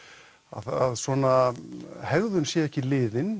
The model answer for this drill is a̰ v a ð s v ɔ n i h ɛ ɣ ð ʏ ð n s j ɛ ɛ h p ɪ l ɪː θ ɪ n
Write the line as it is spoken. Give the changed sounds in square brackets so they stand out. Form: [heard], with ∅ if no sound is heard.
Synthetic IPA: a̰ [ð] a ð s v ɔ n [a] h ɛ ɣ ð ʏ [∅] n s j ɛ ɛ h [c] ɪ l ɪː [ð] ɪ n

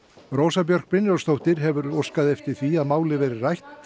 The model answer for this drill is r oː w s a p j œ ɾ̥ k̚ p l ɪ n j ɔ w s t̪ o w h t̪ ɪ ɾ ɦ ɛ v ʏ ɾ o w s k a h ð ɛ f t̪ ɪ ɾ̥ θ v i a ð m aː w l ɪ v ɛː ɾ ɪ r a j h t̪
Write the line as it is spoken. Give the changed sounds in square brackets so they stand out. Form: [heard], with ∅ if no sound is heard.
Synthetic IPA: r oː w s a p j œ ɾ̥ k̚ p [ɾ] ɪ n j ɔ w s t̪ o w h t̪ ɪ ɾ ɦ ɛ v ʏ ɾ o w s k a [∅] ð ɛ f t̪ ɪ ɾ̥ θ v i a ð m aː w l ɪ v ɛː ɾ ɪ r a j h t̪

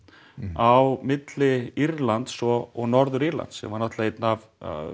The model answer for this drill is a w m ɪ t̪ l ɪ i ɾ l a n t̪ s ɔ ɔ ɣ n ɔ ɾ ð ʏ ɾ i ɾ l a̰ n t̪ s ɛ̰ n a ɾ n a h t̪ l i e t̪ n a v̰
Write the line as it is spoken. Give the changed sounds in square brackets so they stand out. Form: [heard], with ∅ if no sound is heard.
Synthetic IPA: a w m ɪ t̪ l ɪ i ɾ l a n t̪ s ɔ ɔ ɣ n ɔ ɾ ð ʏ ɾ i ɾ l a̰ n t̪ s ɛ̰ [m] a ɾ n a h t̪ l [a] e t̪ n a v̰

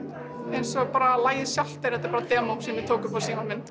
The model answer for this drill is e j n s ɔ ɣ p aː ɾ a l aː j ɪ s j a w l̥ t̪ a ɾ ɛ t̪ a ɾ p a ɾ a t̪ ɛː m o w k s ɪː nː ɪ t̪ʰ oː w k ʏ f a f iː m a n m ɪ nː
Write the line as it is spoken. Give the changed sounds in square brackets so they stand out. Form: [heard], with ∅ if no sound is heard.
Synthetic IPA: e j n s ɔ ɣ p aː ɾ a l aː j ɪ s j a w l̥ t̪ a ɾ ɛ t̪ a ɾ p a ɾ a t̪ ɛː m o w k s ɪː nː ɪ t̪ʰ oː w k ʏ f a [s] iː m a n m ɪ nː

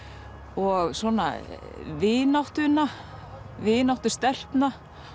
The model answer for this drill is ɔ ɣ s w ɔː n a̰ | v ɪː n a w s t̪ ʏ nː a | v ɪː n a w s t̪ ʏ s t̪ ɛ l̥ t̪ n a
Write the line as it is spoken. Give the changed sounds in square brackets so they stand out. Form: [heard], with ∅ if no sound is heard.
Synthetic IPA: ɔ ɣ s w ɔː n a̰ | v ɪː n a w [h] t̪ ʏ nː a | v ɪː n a w [h] t̪ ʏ s t̪ ɛ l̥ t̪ n a

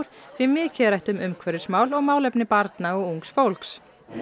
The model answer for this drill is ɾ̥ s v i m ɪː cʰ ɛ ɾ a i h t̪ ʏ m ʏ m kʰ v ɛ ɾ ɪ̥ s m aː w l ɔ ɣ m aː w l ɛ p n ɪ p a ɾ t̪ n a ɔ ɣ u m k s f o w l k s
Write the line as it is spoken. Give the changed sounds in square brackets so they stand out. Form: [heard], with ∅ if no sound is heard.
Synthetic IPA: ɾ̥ [θ] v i m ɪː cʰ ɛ ɾ a [j] h t̪ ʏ m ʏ m kʰ v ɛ ɾ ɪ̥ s m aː w l ɔ ɣ m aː w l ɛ p n ɪ p a ɾ t̪ n a ɔ ɣ u [ŋ] k s f o w l k s

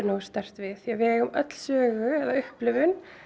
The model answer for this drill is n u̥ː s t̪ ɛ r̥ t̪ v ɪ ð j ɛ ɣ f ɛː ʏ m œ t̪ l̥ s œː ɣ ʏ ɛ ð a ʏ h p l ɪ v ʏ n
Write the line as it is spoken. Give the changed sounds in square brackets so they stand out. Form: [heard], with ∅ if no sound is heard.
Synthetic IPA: n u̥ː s t̪ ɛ r̥ t̪ v ɪ ð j ɛ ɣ [v] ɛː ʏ m œ t̪ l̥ s œː ɣ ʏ ɛ ð a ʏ h p l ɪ v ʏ n

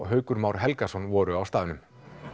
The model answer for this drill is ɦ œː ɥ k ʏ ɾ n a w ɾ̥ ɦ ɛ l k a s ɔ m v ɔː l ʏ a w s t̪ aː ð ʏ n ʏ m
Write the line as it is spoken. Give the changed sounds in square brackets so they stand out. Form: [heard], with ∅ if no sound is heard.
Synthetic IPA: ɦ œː ɥ k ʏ ɾ [m] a w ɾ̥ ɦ ɛ l k a s ɔ [n] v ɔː [ɾ] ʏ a w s t̪ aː ð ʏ n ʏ m

